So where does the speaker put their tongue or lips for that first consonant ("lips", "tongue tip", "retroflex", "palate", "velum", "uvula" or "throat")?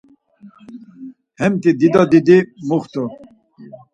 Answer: throat